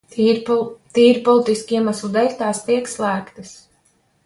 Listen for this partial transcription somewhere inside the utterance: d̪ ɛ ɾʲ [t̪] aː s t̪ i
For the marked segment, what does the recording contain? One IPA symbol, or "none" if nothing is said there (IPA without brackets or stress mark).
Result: t̪